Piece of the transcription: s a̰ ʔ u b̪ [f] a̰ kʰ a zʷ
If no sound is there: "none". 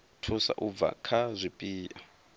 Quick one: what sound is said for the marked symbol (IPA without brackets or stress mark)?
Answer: v